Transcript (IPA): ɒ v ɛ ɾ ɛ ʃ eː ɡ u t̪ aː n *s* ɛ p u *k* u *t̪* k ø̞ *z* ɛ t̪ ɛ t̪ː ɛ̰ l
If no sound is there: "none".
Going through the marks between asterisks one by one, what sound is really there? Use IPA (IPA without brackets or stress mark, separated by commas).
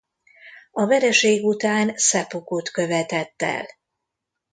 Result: s, k, t̪, v